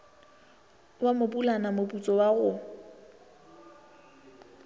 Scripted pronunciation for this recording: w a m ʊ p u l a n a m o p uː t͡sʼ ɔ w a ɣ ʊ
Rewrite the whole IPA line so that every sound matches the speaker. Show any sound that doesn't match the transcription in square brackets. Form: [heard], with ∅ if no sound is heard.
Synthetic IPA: w a m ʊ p u l a n a m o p [u] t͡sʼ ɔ w a ɣ ʊ